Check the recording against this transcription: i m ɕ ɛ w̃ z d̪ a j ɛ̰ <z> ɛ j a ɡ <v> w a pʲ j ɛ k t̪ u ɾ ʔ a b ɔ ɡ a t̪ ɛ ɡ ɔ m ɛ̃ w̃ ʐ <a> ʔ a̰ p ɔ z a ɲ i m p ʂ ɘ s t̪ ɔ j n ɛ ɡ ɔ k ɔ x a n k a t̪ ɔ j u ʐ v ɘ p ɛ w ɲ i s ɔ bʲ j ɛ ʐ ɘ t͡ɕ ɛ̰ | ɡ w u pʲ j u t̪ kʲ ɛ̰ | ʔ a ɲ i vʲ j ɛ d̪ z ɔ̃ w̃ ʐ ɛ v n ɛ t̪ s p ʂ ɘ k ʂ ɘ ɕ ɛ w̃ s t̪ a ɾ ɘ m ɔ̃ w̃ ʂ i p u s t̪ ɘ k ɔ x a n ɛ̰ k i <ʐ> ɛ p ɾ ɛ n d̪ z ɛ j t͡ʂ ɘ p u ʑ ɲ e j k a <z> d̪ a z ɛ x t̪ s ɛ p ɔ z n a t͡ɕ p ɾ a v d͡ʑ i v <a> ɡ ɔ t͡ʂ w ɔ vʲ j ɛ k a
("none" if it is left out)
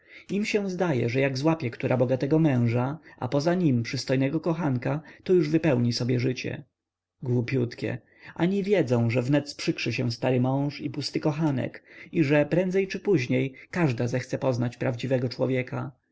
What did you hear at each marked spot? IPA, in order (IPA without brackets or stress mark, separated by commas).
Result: ʐ, z, a, ʐ, ʐ, ɛ